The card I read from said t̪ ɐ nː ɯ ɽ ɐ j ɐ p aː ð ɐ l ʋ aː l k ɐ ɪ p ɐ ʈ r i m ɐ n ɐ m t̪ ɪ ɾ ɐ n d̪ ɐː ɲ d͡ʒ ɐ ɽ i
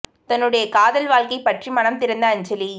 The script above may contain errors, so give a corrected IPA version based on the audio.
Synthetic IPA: t̪ ɐ nː ɯ ɽ ɐ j ɐ k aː ð ɐ l ʋ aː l k ɐ ɪ p ɐ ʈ r i m ɐ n ɐ m t̪ ɪ ɾ ɐ n d̪ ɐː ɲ d͡ʒ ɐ l i